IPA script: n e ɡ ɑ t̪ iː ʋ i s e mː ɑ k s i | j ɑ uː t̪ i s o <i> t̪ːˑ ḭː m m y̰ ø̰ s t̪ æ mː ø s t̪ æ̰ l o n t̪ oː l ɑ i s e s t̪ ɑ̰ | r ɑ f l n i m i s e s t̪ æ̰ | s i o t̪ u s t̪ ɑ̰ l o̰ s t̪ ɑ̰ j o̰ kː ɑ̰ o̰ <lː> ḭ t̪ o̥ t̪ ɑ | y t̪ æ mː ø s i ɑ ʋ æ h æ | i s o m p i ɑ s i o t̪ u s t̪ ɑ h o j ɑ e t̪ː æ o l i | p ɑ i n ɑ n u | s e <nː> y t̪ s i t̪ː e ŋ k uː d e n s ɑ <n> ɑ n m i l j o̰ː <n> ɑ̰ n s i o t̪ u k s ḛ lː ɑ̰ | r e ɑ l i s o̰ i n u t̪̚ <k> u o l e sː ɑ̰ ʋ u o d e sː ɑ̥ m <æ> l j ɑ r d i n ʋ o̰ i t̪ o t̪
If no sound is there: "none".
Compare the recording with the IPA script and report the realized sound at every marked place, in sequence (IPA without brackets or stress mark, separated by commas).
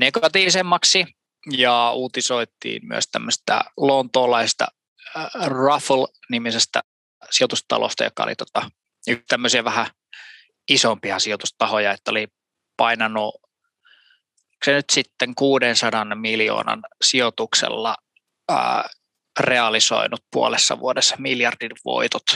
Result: i, l, n, d, n, p, i